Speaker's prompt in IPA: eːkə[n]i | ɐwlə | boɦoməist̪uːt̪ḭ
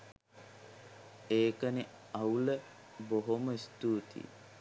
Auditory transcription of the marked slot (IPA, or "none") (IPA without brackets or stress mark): n